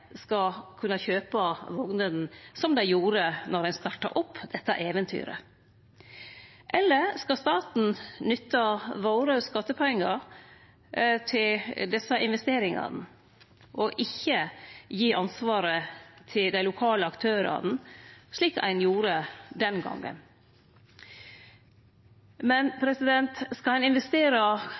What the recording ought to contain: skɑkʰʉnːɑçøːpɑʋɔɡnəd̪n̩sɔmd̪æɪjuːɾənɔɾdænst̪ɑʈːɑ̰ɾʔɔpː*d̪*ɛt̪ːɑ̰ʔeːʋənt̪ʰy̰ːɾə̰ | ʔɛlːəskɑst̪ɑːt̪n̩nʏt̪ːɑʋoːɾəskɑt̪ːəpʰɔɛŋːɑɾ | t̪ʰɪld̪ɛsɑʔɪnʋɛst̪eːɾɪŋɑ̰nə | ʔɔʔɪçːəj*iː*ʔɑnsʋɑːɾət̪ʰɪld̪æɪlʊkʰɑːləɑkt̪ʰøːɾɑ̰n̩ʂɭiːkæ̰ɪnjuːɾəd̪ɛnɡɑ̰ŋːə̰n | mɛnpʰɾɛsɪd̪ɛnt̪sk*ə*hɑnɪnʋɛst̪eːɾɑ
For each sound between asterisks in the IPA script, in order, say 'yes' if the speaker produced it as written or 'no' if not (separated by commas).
yes, yes, no